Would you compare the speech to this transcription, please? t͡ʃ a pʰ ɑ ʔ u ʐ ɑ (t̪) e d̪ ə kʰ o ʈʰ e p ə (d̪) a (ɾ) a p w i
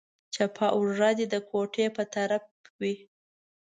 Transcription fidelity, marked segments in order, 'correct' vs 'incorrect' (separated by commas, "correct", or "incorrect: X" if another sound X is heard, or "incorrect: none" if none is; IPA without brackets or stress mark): incorrect: d̪, incorrect: t̪, correct